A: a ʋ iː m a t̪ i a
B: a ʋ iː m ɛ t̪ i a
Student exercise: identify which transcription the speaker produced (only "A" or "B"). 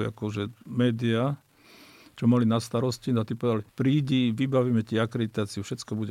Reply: B